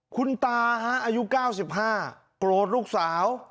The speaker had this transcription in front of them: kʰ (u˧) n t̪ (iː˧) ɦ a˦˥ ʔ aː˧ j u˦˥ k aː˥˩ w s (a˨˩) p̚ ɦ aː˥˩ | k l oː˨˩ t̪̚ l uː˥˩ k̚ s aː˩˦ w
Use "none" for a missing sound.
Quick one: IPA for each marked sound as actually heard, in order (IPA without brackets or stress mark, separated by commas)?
u˧, aː˧, i˨˩